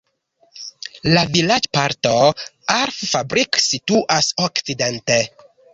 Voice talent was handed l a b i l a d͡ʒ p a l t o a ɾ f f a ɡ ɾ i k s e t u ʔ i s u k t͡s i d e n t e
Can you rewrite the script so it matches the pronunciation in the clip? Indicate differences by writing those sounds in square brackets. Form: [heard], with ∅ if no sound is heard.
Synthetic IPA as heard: l a [v] i l a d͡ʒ p a [ɾ] t o a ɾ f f a [b] ɾ i k s [i] t u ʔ [a] s [o] k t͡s i d e n t e